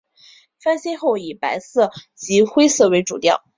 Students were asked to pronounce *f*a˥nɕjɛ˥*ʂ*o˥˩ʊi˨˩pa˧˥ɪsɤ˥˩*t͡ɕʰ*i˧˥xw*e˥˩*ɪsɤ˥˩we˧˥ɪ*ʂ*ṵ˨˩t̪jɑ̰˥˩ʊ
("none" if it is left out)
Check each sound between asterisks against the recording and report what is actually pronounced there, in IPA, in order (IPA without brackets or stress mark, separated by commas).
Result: f, x, t͡ɕ, e˥, ʈ͡ʂ